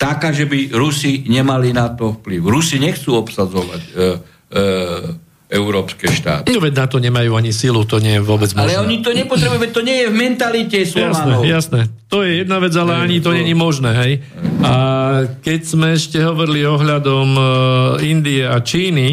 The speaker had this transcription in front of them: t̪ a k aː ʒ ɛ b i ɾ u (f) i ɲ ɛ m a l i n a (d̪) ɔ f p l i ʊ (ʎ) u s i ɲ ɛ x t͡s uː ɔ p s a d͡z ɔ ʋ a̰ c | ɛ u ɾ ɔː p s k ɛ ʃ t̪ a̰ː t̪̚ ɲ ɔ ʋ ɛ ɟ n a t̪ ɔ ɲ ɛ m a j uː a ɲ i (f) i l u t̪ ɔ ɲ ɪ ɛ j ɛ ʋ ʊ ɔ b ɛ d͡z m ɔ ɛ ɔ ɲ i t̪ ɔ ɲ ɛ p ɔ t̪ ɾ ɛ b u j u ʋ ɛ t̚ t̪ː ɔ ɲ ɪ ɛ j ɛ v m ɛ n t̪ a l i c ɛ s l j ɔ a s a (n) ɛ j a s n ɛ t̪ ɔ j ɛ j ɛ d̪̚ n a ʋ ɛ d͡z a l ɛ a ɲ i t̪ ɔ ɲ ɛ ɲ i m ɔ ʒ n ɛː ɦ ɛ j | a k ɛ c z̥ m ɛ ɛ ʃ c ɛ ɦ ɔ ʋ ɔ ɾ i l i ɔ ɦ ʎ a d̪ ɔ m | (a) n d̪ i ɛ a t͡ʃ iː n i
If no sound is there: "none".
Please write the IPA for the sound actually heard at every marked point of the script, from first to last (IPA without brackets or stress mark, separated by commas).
s, t̪, ɾ, s, n, i